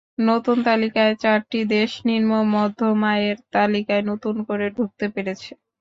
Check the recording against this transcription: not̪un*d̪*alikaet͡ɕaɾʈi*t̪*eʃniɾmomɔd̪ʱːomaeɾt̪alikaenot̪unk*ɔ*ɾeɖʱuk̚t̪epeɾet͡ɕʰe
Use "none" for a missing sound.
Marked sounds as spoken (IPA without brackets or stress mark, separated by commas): t̪, d̪, o